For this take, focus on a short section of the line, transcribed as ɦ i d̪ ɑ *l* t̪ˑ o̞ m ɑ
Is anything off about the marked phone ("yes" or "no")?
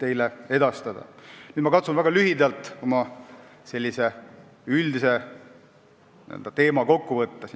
no